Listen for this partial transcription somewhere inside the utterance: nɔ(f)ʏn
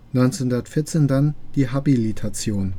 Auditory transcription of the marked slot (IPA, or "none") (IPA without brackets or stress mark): none